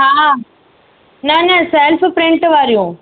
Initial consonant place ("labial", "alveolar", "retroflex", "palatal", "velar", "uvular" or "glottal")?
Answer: glottal